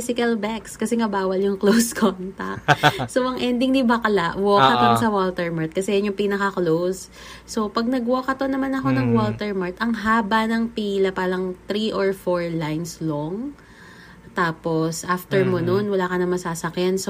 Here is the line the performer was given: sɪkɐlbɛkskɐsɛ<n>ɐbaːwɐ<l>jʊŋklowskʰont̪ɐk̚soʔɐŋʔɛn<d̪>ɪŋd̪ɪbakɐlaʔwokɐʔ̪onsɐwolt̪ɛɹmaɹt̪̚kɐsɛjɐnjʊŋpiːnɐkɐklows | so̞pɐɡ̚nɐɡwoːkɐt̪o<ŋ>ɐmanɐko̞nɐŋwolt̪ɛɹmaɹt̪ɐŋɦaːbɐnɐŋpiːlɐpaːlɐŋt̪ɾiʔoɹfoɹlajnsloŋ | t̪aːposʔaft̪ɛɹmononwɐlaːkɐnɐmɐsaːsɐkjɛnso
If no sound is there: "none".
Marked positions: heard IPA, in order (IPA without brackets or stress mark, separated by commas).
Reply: ŋ, l, d̪, n